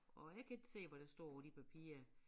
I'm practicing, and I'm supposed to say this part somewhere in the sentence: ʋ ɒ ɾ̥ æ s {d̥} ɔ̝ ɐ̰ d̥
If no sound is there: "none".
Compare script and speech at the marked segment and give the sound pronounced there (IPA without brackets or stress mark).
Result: d̥